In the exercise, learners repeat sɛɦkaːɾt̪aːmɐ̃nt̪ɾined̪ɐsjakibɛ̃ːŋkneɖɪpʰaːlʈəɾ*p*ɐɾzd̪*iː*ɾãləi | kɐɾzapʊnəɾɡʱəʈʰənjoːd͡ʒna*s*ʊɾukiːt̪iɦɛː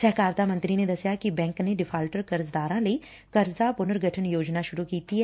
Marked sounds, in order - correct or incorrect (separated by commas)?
incorrect, incorrect, incorrect